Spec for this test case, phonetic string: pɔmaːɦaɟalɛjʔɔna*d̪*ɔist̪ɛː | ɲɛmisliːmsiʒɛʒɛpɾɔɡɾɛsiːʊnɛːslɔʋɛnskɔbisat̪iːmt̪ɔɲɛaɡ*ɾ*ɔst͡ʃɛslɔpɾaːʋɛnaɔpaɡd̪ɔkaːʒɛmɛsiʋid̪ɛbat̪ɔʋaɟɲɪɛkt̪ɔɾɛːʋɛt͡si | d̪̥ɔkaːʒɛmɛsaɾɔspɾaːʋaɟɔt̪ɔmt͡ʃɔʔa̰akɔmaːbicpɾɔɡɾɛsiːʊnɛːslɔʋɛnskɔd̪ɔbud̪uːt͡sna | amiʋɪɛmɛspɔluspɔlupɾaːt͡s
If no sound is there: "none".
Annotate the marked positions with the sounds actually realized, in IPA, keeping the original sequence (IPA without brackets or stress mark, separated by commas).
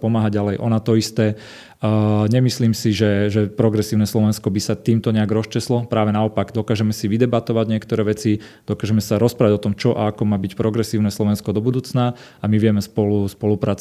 t̪, ɾ